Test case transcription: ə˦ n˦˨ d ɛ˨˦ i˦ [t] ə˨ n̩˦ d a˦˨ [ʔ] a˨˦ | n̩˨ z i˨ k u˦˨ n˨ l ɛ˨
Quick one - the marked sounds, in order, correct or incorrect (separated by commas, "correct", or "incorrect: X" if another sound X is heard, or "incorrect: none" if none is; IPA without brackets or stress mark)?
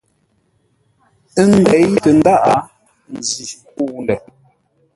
correct, correct